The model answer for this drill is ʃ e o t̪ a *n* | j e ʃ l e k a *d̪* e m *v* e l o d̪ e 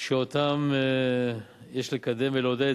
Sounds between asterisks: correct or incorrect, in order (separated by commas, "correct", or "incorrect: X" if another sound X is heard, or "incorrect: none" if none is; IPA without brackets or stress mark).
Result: incorrect: m, correct, correct